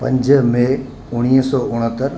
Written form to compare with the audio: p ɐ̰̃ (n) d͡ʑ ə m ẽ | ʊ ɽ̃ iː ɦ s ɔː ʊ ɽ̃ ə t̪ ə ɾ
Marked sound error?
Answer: yes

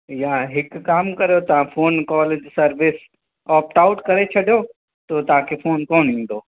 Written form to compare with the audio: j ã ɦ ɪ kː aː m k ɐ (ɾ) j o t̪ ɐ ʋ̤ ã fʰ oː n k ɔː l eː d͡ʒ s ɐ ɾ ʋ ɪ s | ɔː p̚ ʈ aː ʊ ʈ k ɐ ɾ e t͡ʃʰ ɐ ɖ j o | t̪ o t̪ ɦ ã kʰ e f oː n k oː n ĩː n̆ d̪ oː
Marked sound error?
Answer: no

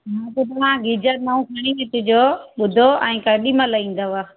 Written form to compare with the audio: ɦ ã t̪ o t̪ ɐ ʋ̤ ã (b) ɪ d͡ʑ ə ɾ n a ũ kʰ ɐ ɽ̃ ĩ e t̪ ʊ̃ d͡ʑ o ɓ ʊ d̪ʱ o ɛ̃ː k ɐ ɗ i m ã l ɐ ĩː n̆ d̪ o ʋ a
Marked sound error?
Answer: yes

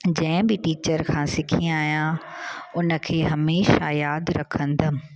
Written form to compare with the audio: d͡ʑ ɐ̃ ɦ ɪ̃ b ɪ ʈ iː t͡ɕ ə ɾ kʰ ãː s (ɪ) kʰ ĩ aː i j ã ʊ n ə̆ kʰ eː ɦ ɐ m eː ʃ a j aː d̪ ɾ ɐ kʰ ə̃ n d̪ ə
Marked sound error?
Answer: no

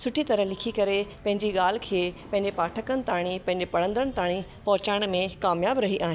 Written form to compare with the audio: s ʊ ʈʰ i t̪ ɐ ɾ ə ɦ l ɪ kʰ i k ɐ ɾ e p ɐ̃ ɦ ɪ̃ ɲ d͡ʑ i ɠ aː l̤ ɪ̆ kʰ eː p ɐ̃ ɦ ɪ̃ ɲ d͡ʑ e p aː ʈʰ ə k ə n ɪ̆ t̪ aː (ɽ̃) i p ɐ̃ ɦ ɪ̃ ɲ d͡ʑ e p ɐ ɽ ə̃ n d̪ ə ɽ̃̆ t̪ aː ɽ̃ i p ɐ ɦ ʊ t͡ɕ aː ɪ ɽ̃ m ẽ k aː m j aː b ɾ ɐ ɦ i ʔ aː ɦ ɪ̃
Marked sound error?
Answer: no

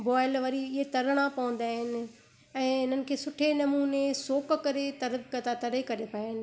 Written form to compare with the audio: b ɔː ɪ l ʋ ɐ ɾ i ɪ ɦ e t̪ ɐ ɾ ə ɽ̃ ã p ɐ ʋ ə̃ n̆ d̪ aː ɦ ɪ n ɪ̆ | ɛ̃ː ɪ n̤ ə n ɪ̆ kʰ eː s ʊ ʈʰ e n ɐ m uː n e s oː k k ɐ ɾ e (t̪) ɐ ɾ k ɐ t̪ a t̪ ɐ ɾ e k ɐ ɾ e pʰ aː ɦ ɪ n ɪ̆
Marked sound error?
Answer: no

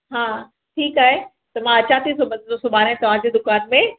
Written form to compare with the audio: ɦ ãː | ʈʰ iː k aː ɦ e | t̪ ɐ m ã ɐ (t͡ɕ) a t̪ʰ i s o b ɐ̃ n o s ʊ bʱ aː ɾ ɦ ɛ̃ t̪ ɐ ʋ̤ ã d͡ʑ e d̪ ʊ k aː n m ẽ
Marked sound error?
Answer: no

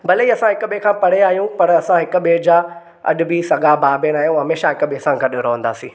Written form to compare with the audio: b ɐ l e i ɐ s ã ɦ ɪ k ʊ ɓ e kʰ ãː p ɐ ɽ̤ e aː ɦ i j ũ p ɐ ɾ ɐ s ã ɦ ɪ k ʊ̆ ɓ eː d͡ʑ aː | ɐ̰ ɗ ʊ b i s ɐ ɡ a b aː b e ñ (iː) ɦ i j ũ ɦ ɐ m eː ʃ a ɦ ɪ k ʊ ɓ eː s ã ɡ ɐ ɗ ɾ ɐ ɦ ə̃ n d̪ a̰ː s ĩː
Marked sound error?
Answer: yes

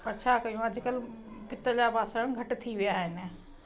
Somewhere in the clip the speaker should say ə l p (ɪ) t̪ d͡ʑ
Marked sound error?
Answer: no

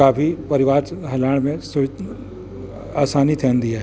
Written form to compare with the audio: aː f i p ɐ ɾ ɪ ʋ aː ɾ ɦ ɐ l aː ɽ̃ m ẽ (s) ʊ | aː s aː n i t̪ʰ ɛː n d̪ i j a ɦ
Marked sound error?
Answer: no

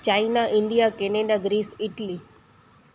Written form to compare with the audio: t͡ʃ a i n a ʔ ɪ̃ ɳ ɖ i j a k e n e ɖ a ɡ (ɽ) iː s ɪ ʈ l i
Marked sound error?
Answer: yes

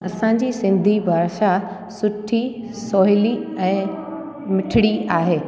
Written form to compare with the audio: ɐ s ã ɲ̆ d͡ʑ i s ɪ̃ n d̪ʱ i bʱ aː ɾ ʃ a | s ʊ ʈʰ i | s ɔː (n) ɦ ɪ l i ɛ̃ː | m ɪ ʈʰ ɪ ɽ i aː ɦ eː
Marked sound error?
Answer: yes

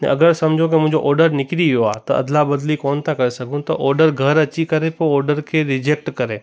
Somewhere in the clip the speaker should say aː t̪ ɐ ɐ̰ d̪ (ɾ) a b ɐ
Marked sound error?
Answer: yes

